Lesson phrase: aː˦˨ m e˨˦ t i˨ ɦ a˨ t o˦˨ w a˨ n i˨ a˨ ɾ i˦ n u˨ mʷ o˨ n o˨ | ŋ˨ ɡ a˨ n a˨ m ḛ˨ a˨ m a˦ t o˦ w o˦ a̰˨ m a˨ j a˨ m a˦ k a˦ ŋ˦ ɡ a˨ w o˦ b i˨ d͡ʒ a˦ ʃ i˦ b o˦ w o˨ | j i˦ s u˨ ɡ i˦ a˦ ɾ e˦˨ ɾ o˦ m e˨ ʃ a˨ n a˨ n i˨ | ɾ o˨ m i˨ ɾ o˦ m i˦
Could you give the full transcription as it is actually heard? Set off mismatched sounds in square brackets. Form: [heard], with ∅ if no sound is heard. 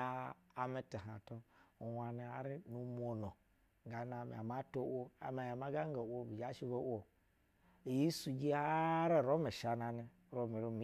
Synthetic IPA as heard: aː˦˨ m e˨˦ t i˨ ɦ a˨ t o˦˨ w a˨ n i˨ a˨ ɾ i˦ n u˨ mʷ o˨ n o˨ | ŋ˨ ɡ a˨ n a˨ m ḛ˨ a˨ m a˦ t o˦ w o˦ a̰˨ m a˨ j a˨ m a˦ [ɡ] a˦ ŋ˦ ɡ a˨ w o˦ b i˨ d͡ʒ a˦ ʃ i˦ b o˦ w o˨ | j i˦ s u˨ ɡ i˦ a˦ ɾ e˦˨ ɾ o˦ m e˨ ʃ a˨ n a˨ n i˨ | ɾ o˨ m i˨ ɾ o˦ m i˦